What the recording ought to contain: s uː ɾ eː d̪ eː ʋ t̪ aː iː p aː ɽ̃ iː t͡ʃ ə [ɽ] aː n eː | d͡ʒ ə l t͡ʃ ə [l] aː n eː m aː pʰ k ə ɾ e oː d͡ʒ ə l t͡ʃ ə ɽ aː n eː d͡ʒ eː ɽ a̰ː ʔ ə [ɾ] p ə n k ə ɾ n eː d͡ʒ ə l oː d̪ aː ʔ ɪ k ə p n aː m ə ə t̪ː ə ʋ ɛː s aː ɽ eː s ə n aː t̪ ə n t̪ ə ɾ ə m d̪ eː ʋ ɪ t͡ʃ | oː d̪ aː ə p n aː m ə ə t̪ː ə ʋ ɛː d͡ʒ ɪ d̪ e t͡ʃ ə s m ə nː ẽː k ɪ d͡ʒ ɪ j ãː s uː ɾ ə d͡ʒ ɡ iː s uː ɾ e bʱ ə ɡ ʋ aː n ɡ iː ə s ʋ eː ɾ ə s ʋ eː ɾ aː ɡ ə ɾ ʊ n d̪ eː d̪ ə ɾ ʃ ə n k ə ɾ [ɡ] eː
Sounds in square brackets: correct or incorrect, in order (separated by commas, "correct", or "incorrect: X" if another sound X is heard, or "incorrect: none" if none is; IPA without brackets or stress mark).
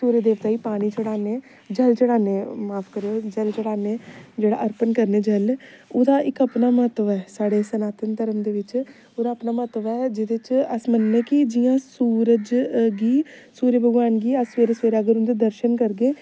correct, incorrect: ɽ, correct, correct